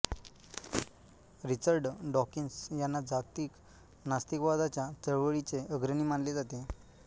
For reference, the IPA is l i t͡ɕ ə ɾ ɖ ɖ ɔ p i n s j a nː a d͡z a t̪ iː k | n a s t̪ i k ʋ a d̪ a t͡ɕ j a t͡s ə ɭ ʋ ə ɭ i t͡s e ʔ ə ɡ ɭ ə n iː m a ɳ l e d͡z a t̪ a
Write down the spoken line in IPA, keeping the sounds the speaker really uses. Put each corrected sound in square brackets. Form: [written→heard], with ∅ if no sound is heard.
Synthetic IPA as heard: [l→ɾ] i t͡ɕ ə ɾ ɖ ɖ ɔ [p→k] i n s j a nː a d͡z a t̪ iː k | n a s t̪ i k ʋ a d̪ a t͡ɕ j a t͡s ə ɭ ʋ ə ɭ i t͡s e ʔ ə ɡ [ɭ→ɾ] ə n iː m a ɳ l e d͡z a t̪ [a→e]